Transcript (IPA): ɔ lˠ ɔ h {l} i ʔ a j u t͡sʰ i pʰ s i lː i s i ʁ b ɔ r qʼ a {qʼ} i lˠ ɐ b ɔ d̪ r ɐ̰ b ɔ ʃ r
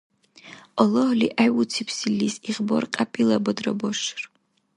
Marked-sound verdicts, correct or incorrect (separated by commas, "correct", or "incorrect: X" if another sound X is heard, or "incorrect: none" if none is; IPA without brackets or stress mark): correct, incorrect: pʼ